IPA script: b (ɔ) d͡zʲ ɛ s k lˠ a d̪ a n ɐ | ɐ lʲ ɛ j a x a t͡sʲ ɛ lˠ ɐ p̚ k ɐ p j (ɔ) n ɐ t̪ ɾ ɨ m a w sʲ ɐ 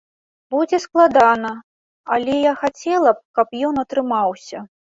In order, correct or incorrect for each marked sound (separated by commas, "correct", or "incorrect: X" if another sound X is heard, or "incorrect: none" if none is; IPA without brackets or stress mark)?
incorrect: u, correct